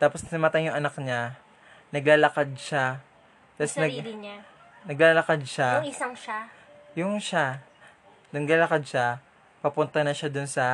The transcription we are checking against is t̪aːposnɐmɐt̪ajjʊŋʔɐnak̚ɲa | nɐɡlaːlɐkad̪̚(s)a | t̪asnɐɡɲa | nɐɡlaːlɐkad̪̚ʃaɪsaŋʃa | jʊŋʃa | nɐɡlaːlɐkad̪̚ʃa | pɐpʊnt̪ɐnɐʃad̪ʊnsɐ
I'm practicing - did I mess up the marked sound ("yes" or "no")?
yes